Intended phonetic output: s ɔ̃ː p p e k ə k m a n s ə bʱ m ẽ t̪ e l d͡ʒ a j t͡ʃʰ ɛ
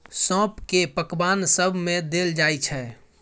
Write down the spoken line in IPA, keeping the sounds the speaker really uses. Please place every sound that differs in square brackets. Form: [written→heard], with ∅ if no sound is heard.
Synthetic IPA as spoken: s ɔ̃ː p [p→k] e [k→p] ə k [m→b] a n s ə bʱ m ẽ [t̪→d̪] e l d͡ʒ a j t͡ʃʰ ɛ